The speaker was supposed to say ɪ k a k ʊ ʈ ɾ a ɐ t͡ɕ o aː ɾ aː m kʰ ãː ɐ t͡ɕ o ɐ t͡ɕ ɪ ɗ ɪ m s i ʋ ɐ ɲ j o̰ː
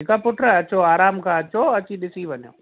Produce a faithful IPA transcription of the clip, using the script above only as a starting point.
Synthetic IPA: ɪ k a p ʊ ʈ ɾ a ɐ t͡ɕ o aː ɾ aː m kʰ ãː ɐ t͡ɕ o ɐ t͡ɕ i ɗ ɪ s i ʋ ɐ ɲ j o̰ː